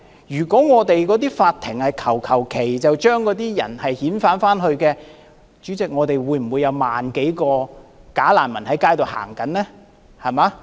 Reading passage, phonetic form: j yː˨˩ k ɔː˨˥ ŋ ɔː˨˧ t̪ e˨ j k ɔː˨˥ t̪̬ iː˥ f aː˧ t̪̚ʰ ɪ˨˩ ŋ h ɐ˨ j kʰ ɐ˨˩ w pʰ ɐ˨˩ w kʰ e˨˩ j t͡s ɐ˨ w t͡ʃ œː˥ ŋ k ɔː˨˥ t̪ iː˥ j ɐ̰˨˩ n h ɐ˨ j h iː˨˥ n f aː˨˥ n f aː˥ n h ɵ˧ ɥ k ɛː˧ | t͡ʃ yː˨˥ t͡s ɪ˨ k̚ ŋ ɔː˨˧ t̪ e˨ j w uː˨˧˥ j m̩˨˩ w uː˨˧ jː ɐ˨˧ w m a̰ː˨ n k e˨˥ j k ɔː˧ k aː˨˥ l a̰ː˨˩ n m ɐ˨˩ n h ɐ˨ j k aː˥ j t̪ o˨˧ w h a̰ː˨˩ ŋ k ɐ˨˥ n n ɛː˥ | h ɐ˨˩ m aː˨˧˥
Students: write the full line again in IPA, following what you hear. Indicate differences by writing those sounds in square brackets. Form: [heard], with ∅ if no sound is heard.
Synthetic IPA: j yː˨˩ k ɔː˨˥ ŋ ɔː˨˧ t̪ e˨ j k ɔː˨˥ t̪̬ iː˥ f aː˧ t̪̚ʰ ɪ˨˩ ŋ h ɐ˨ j kʰ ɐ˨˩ w [kʰ] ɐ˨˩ w kʰ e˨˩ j t͡s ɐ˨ w t͡ʃ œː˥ ŋ k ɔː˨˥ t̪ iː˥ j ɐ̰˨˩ n h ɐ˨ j h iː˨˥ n f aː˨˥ n f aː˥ n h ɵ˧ ɥ k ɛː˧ | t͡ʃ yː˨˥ t͡s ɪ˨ k̚ ŋ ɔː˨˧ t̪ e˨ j w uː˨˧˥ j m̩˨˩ w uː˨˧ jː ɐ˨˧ w m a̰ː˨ n k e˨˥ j k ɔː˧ k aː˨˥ l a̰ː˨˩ n m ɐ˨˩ n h [ɐ˨˥] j k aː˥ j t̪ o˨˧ w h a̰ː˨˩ ŋ k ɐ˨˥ n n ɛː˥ | h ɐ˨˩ m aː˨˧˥

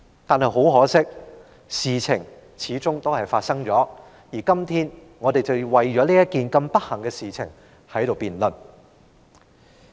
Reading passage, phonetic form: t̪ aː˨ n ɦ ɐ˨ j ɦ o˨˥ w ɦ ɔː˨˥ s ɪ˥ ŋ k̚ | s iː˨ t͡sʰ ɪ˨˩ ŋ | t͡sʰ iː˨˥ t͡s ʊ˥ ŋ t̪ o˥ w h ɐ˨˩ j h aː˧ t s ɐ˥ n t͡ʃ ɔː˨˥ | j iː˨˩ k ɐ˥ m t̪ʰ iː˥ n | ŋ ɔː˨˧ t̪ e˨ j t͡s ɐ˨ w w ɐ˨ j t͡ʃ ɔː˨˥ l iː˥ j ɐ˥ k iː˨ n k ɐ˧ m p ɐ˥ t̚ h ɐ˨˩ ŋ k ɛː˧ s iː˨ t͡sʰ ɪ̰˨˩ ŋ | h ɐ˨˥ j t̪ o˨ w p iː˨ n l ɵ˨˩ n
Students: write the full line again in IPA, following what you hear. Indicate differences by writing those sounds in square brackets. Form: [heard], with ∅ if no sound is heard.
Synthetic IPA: t̪ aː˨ n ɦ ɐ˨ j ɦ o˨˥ w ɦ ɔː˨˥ s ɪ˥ [∅] k̚ | s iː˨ t͡sʰ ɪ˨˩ ŋ | t͡sʰ iː˨˥ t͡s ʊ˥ ŋ t̪ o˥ w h ɐ˨˩ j [f] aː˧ t s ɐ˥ [ŋ] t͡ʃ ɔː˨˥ | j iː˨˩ k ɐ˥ m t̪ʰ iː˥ n | ŋ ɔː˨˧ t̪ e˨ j t͡s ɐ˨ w w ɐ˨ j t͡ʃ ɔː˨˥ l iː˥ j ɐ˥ k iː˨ n k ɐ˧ m p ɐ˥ t̚ h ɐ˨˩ ŋ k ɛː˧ s iː˨ t͡sʰ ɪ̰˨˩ ŋ | h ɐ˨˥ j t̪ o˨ w p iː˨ n l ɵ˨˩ n

